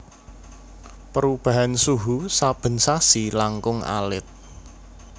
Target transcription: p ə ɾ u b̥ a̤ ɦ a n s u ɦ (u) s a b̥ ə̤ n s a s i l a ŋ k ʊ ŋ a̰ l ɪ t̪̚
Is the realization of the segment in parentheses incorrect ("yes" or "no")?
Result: no